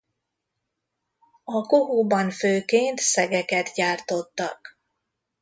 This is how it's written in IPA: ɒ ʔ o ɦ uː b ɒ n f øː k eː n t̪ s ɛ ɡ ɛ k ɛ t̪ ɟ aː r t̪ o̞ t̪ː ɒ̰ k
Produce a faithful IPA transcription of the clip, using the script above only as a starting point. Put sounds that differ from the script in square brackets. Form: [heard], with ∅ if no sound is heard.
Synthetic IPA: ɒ [k] o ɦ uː b ɒ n f øː k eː n t̪ s ɛ ɡ ɛ k ɛ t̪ ɟ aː r t̪ o̞ t̪ː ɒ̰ k